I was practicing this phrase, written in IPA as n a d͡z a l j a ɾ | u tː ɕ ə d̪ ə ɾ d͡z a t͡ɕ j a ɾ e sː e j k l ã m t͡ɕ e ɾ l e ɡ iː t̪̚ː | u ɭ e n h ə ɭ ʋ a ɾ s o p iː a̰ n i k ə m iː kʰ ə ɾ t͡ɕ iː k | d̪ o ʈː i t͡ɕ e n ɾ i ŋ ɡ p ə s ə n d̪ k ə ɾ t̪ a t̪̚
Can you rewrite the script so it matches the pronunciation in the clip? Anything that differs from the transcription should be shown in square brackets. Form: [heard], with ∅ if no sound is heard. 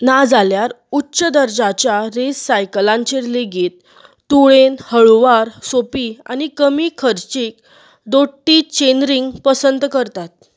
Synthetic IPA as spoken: n a d͡z a l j a ɾ | u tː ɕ ə d̪ ə ɾ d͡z a t͡ɕ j a ɾ e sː [a] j k l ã [ɲ] t͡ɕ e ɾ l e ɡ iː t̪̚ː | u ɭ e n h ə ɭ ʋ a ɾ s o p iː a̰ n i k ə m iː kʰ ə ɾ t͡ɕ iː k | d̪ o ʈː i t͡ɕ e n ɾ i ŋ ɡ p ə s ə n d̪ k ə ɾ t̪ a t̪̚